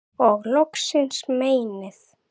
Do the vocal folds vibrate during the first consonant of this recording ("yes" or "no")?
yes